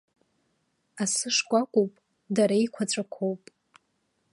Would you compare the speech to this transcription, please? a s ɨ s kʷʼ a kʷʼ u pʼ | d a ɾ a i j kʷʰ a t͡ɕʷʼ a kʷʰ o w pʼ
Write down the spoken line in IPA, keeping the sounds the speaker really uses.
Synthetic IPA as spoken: a s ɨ ʂ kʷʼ a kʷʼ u pʼ | d a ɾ a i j kʷʰ a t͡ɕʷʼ a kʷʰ o w pʼ